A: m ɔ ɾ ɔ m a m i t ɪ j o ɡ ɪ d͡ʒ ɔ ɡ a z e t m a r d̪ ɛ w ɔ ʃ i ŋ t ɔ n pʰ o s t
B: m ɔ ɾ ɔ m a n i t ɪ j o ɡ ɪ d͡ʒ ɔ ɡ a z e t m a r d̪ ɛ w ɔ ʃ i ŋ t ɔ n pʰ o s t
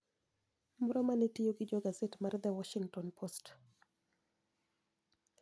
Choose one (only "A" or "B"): B